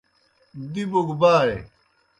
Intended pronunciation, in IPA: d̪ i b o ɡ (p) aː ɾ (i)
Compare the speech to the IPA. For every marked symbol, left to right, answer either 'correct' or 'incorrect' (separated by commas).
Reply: incorrect, incorrect